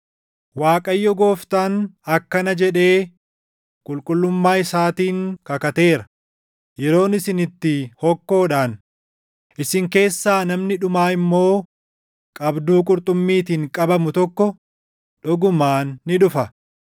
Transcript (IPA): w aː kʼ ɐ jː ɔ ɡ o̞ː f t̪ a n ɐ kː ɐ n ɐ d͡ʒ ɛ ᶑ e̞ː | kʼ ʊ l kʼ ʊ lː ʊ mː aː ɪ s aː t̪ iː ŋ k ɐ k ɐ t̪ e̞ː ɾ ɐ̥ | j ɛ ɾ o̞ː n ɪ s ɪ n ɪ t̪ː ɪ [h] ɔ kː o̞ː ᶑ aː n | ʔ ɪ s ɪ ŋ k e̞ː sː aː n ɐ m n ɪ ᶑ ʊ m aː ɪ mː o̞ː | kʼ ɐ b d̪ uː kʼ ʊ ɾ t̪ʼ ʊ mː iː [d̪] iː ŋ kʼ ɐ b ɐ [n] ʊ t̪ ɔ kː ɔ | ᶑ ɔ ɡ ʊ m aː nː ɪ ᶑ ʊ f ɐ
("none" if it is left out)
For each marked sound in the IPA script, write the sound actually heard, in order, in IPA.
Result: h, t̪, m

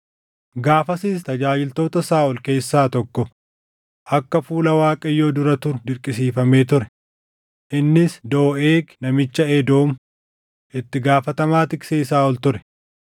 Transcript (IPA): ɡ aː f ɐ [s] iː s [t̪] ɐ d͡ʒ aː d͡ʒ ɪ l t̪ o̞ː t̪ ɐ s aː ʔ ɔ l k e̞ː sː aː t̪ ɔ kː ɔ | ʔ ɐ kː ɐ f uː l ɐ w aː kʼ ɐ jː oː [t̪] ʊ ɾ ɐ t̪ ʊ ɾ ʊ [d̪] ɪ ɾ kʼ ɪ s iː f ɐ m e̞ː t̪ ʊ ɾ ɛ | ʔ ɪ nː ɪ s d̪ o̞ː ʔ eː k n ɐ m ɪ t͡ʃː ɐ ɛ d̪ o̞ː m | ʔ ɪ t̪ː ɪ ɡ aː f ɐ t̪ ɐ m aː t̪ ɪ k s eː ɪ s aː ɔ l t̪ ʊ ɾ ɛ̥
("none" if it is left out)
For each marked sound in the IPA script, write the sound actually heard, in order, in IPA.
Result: s, t̪, d̪, d̪

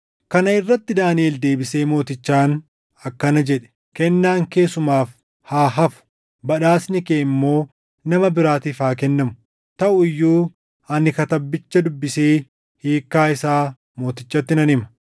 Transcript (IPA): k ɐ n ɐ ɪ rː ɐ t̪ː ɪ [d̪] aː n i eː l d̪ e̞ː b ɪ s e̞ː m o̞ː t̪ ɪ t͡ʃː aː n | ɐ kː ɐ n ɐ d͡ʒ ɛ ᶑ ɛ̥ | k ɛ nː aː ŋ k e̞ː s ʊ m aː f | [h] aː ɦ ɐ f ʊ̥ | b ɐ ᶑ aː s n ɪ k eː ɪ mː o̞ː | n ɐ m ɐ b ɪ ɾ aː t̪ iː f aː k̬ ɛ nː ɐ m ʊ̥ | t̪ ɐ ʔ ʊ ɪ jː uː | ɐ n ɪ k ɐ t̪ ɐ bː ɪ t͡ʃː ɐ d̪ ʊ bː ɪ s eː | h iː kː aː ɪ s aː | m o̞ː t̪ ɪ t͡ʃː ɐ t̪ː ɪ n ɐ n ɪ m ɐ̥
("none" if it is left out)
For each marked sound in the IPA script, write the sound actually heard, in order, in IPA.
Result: d̪, h

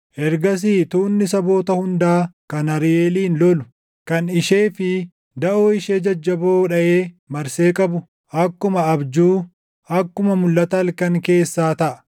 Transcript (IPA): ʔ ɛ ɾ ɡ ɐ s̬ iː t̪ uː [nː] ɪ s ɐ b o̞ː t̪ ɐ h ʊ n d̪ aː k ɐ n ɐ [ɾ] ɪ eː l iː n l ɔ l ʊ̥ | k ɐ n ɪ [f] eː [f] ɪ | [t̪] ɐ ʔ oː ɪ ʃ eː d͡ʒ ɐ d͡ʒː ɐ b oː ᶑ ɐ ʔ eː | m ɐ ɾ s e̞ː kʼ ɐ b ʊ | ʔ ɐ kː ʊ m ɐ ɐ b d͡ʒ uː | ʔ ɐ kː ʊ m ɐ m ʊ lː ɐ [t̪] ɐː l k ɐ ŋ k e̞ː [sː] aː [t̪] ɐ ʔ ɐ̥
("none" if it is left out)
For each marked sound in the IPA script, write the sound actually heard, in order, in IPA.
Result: nː, ɾ, ʃ, f, d̪, t̪, sː, t̪

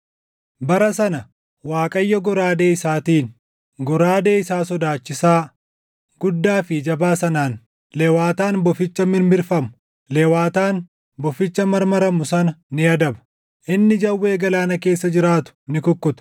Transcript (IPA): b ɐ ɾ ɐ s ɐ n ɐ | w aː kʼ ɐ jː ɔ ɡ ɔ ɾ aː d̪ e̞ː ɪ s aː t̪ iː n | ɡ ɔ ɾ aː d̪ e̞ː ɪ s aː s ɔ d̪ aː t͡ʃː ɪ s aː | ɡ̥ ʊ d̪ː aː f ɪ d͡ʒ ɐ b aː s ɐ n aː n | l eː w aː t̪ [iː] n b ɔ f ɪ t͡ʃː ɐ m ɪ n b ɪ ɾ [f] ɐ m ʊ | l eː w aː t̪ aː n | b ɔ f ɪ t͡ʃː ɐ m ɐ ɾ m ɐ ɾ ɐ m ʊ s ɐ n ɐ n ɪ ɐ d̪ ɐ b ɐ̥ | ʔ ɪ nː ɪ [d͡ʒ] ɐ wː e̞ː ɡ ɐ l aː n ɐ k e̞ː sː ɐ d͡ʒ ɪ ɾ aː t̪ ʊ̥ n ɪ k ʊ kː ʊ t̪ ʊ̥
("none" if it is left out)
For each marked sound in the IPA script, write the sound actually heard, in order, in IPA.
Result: aː, f, d͡ʒ

